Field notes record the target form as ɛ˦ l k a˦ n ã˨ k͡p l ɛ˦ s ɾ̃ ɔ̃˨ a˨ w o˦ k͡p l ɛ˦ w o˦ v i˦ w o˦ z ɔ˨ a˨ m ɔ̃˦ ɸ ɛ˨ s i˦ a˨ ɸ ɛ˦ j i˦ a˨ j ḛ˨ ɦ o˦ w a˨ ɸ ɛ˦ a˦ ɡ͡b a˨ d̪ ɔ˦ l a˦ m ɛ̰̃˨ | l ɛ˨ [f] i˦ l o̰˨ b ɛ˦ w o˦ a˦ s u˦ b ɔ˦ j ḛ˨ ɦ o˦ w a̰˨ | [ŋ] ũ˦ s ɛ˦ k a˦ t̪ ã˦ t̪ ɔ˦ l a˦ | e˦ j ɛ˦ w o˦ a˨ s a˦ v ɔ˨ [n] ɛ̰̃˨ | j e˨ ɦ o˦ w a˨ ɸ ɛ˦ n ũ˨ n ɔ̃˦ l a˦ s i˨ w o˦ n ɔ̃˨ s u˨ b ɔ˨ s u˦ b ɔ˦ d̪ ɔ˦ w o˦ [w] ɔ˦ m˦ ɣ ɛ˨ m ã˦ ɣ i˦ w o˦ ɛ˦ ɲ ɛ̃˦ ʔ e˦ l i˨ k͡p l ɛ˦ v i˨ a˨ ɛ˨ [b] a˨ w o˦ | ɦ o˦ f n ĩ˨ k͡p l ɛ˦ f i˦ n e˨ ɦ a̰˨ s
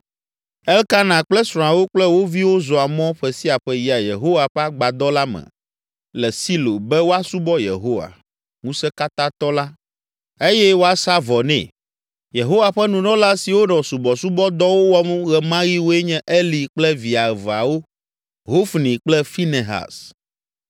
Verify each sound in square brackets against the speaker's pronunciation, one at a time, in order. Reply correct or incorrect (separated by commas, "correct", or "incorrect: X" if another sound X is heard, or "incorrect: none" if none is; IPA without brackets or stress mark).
incorrect: s, correct, correct, correct, incorrect: v